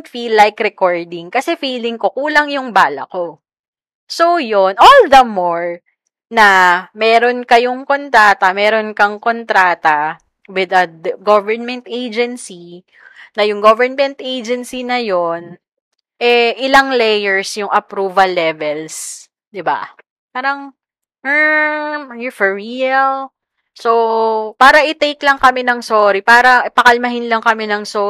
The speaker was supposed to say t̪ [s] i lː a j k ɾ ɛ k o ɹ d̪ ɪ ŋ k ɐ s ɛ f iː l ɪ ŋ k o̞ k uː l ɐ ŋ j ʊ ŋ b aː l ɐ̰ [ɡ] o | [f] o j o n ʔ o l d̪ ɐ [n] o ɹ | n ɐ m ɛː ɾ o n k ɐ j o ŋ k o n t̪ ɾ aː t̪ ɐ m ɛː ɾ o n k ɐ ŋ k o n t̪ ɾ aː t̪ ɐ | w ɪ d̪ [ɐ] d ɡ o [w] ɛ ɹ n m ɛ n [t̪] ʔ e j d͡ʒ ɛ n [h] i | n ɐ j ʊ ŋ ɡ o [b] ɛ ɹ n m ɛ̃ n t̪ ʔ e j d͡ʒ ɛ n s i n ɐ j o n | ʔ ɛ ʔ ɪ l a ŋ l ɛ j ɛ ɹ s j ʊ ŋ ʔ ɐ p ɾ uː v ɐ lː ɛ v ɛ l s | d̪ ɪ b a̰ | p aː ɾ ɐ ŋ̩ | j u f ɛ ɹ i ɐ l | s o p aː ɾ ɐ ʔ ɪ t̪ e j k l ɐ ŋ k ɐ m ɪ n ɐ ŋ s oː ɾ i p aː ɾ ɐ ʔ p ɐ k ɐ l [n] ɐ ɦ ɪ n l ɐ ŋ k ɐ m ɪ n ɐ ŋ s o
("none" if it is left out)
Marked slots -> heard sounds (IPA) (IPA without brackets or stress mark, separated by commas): f, k, s, m, ɐ, v, t̪, s, v, m